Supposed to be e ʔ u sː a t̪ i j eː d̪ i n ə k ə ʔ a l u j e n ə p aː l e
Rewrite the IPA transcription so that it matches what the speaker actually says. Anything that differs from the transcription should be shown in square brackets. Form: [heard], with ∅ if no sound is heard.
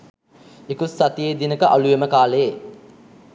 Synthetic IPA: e [k] u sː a t̪ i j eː d̪ i n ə k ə ʔ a l u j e [m] ə [k] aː l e

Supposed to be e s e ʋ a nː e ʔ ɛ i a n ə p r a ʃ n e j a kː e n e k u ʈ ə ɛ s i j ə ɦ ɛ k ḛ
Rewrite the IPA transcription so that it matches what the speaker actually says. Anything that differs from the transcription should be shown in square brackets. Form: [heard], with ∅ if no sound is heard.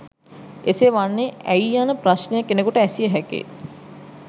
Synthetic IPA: e s e ʋ a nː e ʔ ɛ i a n ə p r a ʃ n e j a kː e n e k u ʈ ə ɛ s i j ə ɦ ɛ k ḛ

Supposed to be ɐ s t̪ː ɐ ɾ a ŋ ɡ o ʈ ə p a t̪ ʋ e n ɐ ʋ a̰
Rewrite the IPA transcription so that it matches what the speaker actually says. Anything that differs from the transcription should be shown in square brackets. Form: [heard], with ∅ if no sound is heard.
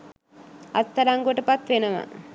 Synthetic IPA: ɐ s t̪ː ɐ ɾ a ŋ ɡ o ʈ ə p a t̪ ʋ e n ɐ ʋ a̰

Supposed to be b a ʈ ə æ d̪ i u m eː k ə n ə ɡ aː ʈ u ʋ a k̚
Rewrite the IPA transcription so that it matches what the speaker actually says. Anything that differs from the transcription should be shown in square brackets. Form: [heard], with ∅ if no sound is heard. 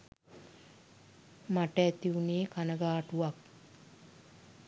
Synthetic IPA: [m] a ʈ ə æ [t̪] i u [n] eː k [a] n ə ɡ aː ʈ u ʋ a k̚

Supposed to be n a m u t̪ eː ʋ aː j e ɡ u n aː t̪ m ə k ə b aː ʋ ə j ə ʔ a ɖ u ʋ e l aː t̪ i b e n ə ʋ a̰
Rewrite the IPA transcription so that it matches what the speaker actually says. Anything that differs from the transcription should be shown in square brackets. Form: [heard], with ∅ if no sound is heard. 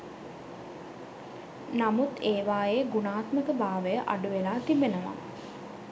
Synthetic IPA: n a m u t̪ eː ʋ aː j e ɡ u n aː t̪ m ə k ə b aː ʋ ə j ə ʔ a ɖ u ʋ e l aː t̪ i b e n ə ʋ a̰

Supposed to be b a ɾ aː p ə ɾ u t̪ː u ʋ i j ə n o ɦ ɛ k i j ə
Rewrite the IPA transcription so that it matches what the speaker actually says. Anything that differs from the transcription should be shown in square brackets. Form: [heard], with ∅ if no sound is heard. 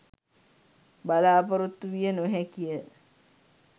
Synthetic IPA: b a [l] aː p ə ɾ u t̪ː u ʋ i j ə n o ɦ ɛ k i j ə

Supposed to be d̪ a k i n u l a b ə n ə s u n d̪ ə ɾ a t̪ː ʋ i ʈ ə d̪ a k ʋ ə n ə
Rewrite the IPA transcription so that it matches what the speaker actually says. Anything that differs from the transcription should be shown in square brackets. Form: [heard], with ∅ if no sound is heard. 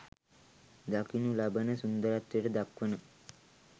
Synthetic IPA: d̪ a k i n u l a b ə n ə s u n d̪ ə ɾ a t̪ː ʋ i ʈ ə d̪ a k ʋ ə n ə

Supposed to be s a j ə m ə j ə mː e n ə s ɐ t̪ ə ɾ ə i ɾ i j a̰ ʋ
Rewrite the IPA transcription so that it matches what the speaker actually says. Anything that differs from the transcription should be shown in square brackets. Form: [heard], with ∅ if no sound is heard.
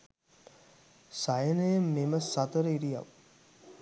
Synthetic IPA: s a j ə [n] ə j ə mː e [m] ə s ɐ t̪ ə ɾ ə i ɾ i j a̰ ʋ

